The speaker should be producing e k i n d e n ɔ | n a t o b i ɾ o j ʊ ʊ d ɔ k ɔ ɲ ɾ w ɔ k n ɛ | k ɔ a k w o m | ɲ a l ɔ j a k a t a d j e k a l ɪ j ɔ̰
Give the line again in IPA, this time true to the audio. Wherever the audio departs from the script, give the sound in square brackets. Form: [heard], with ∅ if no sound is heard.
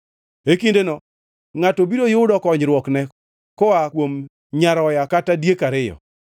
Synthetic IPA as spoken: e k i n d e n ɔ | [ŋ] a t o b i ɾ o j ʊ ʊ d ɔ k ɔ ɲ ɾ w ɔ k n ɛ | k ɔ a k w o m | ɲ a [ɾ] ɔ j a k a t a d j e k a [ɾ] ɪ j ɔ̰